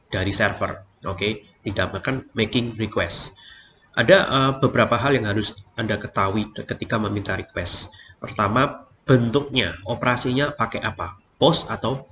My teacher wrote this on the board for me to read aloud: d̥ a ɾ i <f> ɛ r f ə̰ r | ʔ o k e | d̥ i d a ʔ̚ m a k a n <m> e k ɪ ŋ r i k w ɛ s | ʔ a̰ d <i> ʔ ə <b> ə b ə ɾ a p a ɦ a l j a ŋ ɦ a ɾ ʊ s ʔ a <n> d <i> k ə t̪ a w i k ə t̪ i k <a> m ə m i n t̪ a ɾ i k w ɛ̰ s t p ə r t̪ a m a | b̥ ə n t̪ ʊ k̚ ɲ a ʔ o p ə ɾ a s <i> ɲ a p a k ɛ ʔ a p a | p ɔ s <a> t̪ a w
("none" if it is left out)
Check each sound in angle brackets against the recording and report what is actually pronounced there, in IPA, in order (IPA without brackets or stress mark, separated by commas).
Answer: s, m, a, b, n, a, a, i, a